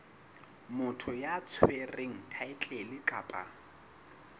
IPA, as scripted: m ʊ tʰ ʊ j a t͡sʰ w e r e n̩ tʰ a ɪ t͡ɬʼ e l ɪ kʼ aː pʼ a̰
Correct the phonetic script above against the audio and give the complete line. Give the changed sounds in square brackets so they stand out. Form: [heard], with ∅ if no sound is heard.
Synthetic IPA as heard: m ʊ tʰ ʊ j a t͡sʰ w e r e [ŋ̩] tʰ a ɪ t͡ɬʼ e l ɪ kʼ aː pʼ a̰